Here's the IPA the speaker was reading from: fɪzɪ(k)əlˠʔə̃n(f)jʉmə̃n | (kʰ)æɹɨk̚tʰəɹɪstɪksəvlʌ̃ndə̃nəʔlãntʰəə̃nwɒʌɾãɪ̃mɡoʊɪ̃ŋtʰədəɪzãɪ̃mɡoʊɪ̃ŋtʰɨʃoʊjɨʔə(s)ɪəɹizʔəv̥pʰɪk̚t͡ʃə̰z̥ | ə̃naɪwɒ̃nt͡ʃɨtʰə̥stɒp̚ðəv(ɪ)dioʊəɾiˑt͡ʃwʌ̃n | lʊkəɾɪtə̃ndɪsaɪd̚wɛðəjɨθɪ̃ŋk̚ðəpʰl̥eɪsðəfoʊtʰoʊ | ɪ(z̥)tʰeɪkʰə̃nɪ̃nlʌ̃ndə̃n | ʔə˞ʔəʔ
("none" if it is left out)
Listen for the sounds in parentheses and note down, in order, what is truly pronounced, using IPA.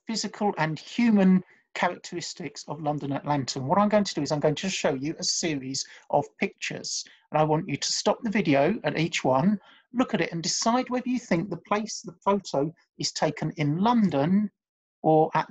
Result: kʰ, h, kʰ, s, ɪ, z̥

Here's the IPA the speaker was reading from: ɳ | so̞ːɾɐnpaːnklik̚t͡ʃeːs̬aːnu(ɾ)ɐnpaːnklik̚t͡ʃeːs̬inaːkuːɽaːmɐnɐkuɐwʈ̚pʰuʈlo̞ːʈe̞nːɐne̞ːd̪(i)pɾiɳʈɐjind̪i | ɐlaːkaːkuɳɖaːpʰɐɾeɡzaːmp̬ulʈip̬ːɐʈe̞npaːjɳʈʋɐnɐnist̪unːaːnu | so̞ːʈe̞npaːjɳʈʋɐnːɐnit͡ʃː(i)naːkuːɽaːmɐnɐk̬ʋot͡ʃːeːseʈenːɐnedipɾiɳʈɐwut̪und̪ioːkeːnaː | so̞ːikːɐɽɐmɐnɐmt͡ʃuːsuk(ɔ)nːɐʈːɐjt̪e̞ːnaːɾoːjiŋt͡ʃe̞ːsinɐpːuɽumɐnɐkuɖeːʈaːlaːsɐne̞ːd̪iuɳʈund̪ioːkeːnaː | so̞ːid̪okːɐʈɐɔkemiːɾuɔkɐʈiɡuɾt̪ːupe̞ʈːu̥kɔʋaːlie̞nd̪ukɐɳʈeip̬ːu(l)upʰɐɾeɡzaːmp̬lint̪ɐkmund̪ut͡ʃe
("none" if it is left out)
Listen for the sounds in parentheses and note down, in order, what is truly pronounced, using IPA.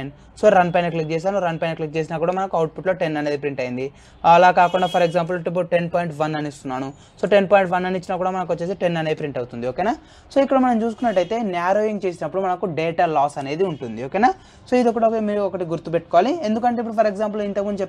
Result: ɾ, i, i, u, ɽ

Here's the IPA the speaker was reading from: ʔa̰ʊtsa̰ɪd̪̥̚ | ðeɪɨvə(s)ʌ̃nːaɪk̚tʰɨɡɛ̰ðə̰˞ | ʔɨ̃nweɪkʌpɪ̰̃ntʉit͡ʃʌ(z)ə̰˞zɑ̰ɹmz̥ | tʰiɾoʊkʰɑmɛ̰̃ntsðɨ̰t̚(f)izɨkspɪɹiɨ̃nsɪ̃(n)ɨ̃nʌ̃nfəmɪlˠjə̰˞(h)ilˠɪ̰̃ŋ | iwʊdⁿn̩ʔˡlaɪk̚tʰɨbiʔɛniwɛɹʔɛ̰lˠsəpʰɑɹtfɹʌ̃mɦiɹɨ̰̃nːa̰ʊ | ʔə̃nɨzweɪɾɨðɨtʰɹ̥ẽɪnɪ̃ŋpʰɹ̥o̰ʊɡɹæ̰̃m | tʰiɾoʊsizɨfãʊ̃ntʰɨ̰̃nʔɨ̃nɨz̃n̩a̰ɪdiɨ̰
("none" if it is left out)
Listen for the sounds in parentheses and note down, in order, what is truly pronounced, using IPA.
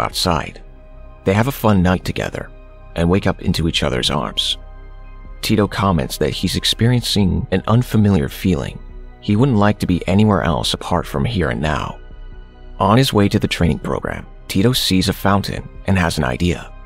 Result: f, ð, h, ŋ, f

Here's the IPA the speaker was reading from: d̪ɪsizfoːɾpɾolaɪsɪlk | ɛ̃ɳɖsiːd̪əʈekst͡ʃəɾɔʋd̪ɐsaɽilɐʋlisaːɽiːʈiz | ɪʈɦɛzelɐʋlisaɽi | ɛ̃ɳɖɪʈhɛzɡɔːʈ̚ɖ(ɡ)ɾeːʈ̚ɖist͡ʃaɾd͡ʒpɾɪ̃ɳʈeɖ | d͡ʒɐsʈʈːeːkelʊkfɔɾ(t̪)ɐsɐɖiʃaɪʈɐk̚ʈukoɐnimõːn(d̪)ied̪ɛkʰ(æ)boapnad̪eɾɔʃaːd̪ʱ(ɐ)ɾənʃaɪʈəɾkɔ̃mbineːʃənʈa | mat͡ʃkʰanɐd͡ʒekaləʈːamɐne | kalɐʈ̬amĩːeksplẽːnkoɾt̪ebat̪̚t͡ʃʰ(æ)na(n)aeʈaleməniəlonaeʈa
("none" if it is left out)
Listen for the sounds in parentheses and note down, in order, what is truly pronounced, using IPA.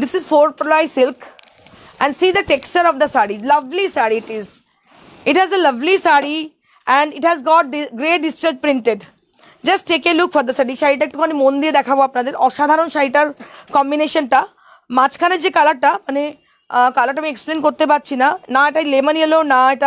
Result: ɡ, d̪, d̪, a, a, i, n

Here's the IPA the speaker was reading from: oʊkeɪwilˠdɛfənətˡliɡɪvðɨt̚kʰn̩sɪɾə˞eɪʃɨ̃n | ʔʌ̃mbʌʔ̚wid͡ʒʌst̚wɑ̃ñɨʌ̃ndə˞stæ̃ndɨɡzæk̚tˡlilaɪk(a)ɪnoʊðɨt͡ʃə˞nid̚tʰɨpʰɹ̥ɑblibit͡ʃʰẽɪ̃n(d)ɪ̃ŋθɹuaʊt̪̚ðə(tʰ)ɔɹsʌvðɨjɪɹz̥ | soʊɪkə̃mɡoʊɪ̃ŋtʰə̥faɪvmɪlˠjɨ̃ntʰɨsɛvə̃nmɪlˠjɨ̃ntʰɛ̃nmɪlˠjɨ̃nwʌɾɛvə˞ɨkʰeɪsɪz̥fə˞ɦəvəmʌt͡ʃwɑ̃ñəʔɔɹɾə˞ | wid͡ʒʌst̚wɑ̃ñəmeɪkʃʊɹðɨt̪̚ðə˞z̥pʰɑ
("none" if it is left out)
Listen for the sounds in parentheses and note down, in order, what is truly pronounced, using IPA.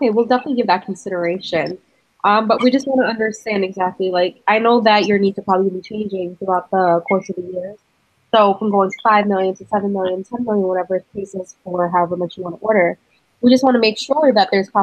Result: a, d͡ʒ, kʰ

